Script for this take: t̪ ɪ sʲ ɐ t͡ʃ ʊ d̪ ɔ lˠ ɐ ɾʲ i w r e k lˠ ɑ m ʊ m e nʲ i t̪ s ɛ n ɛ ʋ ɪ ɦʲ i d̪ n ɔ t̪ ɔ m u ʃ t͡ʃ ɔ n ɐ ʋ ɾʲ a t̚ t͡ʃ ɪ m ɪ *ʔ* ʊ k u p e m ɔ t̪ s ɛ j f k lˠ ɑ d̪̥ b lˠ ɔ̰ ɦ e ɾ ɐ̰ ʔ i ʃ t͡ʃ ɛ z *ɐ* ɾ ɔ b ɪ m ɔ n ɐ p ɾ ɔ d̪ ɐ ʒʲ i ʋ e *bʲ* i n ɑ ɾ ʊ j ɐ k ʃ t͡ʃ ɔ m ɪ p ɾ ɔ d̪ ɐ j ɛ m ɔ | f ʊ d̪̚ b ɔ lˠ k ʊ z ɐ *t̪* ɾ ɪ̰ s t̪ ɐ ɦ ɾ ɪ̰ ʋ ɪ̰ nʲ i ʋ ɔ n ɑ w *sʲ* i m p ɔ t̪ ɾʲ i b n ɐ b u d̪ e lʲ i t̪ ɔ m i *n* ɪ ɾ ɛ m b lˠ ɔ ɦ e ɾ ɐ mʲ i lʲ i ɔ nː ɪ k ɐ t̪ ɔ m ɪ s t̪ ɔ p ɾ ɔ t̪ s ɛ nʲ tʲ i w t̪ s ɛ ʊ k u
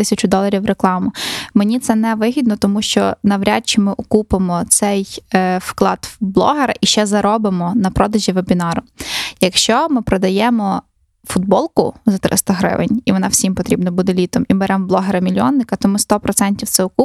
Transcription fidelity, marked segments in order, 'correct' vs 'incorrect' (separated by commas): correct, correct, correct, correct, correct, incorrect